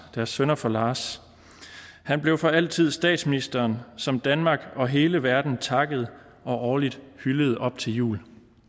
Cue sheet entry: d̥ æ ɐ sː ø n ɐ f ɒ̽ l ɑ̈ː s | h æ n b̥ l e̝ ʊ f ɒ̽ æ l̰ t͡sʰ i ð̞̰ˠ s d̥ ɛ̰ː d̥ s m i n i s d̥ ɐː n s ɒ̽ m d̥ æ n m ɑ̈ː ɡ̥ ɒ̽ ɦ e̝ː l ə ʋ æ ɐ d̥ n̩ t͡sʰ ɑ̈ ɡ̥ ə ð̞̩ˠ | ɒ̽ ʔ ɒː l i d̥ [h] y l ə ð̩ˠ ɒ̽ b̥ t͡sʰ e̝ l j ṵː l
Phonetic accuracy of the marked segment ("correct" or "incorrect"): correct